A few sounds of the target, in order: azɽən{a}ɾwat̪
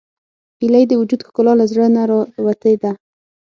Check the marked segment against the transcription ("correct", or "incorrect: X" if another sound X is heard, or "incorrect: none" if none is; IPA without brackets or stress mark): correct